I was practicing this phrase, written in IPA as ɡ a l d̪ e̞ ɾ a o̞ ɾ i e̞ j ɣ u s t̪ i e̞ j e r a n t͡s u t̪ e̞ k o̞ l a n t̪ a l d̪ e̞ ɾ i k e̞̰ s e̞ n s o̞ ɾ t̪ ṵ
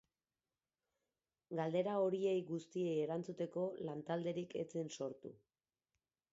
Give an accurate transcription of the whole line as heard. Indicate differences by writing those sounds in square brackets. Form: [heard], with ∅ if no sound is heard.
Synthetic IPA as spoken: ɡ a l d̪ e̞ ɾ a o̞ ɾ i e̞ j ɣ u s t̪ i e̞ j e [ɾ] a n t͡s u t̪ e̞ k o̞ l a n t̪ a l d̪ e̞ ɾ i k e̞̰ [t͡s] e̞ n s o̞ ɾ t̪ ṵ